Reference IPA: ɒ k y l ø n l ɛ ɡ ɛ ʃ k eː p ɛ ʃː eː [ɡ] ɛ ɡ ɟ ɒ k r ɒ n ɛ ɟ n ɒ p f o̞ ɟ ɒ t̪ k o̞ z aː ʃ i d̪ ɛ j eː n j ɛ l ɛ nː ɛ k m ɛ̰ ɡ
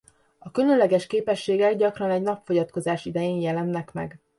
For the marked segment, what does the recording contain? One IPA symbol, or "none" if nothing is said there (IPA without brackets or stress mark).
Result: ɡ